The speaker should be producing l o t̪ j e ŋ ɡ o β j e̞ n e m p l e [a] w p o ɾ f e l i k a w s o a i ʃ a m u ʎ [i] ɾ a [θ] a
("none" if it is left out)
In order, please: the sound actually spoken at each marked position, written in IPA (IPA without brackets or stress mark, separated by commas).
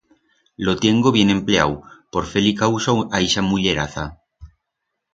a, e, θ